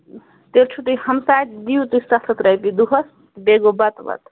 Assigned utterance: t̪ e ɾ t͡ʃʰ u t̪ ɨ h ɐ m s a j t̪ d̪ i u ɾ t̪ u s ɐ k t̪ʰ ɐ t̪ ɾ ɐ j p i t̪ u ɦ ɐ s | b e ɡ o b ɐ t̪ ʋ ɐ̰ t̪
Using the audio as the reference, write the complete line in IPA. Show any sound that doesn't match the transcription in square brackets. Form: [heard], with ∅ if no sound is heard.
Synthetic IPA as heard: t̪ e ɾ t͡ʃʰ u t̪ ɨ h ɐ m s a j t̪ d̪ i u [∅] t̪ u s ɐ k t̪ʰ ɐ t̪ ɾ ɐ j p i [d̪] u ɦ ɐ s | b e ɡ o b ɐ t̪ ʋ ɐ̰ t̪